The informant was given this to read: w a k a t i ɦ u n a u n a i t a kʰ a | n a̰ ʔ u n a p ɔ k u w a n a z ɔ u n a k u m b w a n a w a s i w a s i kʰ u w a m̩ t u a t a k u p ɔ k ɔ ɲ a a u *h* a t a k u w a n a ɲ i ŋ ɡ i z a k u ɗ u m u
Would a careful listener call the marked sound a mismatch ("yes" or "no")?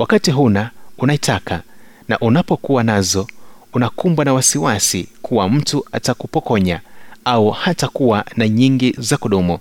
no